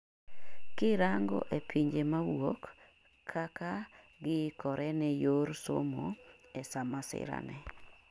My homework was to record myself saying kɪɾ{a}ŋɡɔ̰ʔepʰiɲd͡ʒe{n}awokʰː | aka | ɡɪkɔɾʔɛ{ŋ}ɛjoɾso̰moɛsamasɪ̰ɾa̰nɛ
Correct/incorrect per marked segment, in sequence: correct, incorrect: m, incorrect: n

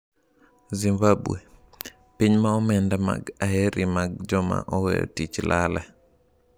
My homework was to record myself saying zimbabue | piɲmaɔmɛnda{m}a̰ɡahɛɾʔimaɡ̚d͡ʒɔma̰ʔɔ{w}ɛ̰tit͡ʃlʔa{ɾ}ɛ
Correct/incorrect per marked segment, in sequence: correct, correct, incorrect: l

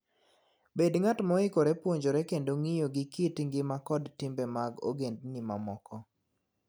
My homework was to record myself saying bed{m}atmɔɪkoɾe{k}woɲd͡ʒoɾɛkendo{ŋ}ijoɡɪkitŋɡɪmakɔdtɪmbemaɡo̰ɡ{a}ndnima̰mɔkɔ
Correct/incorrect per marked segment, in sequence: incorrect: ŋ, incorrect: p, correct, incorrect: e

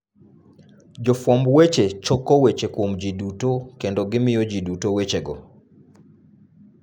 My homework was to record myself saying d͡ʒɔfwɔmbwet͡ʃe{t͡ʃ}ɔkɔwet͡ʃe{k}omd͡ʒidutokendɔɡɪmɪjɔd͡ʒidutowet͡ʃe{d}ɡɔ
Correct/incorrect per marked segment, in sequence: correct, correct, incorrect: none

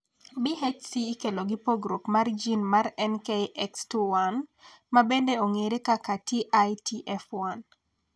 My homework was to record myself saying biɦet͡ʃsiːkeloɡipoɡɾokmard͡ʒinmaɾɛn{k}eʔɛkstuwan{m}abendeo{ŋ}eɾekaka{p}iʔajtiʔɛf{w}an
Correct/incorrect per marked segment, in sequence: correct, correct, correct, incorrect: t, correct

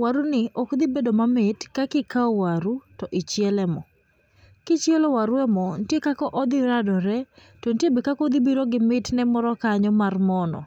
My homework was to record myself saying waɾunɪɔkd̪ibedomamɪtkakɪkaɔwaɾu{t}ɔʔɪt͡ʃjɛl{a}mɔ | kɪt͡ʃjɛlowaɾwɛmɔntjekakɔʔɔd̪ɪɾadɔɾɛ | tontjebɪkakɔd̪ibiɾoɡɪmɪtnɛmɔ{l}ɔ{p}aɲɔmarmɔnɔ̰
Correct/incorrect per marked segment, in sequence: correct, incorrect: ɛ, incorrect: ɾ, incorrect: k

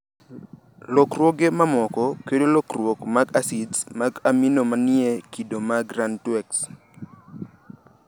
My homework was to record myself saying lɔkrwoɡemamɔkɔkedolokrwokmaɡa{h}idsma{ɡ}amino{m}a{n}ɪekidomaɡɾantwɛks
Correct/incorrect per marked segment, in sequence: incorrect: s, correct, correct, correct

